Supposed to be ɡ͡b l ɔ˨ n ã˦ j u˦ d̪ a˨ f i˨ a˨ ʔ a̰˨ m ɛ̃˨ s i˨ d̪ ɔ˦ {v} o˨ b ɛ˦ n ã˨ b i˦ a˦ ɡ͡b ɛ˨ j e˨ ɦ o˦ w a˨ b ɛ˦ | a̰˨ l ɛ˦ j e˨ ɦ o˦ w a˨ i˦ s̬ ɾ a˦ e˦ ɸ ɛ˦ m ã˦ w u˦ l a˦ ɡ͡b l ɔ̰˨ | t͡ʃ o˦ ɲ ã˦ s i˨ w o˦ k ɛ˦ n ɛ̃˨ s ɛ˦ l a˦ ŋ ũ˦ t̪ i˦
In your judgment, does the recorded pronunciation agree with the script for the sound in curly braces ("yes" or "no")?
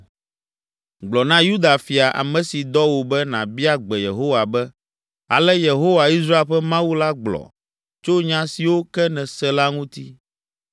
no